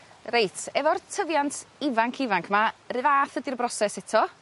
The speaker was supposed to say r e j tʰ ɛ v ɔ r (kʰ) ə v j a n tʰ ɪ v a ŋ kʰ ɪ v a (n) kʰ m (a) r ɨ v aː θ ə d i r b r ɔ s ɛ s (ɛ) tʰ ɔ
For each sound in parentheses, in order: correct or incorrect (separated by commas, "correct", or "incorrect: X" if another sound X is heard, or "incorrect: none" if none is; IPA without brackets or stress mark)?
incorrect: tʰ, incorrect: ŋ, correct, correct